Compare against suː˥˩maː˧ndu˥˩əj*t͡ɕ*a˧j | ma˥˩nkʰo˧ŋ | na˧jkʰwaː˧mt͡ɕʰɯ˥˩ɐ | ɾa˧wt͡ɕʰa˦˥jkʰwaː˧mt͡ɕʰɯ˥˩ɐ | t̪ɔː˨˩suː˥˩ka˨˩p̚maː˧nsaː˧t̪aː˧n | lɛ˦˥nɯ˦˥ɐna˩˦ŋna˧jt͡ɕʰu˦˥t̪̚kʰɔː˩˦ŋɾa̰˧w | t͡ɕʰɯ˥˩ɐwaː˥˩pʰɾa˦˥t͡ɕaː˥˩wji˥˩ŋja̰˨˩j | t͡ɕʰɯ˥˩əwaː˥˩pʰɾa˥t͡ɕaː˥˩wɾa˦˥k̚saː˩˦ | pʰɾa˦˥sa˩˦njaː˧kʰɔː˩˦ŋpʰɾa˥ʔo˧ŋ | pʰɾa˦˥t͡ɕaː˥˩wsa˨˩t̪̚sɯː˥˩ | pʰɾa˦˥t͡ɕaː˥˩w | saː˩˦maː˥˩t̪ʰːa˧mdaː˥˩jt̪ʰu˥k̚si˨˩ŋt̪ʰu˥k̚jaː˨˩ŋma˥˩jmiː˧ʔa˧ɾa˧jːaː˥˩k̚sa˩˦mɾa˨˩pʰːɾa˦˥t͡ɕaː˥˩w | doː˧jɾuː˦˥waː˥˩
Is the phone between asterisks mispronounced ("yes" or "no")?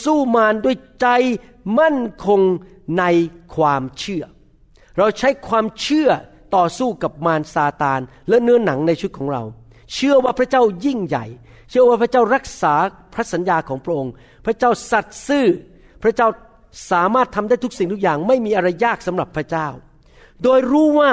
no